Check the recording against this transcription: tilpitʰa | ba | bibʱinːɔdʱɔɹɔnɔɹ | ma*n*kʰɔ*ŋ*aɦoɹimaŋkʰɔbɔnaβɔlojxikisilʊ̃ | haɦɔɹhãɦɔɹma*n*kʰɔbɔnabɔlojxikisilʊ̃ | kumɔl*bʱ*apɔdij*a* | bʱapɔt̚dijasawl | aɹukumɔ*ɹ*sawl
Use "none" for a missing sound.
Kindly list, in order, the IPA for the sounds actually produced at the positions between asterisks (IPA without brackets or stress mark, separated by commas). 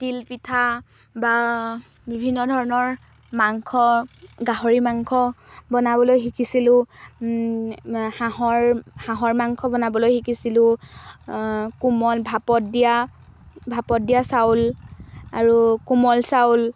ŋ, ɡ, ŋ, bʱ, a, l